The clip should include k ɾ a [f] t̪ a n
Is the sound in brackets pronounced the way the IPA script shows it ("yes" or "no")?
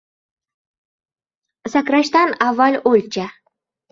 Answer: no